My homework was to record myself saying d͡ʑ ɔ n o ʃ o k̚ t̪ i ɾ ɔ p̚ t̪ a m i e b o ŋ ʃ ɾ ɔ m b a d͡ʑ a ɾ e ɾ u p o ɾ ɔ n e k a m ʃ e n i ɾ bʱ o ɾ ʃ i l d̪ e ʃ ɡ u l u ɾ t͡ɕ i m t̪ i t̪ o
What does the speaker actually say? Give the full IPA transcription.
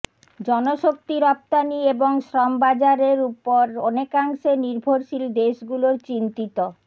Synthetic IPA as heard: d͡ʑ ɔ n o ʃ o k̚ t̪ i ɾ ɔ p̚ t̪ a n i e b o ŋ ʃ ɾ ɔ m b a d͡ʑ a ɾ e ɾ u p o ɾ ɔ n e k a ŋ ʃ e n i ɾ bʱ o ɾ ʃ i l d̪ e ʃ ɡ u l o ɾ t͡ɕ i n t̪ i t̪ o